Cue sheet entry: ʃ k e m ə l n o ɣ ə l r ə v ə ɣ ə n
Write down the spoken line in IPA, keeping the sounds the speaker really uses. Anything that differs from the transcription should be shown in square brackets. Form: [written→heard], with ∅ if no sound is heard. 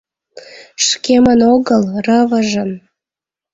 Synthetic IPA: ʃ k e m ə [l→∅] n o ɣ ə l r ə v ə [ɣ→ʒ] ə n